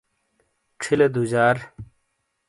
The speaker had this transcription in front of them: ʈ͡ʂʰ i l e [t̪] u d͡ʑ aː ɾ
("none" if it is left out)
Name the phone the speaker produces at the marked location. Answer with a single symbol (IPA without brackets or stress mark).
d̪